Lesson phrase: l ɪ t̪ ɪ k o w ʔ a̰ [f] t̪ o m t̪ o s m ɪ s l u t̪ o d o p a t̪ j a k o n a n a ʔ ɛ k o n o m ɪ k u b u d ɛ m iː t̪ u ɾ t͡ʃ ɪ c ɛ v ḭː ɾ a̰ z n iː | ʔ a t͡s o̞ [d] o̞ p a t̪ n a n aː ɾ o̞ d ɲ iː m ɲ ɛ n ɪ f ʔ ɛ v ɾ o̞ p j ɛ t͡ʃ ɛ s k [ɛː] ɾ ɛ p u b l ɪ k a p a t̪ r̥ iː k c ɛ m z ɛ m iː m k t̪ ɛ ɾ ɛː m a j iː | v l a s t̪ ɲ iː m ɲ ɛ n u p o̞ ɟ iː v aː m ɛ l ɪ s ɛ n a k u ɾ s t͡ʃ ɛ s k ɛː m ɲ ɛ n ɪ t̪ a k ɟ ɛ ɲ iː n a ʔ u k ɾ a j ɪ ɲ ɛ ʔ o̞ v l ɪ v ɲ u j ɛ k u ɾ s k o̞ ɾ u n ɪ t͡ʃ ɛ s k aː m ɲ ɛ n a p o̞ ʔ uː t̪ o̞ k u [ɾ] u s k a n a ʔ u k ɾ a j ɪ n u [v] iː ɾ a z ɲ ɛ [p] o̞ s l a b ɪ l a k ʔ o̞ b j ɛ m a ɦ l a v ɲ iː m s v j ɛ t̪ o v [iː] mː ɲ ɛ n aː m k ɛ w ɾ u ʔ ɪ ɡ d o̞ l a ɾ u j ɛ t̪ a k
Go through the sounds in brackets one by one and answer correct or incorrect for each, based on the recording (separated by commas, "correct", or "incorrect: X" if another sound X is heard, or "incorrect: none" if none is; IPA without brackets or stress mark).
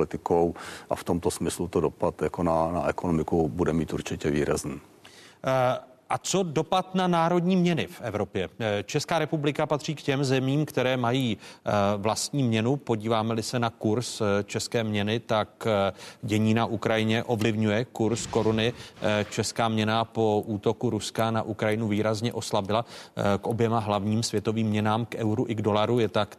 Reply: correct, correct, incorrect: aː, correct, correct, incorrect: ʔ, correct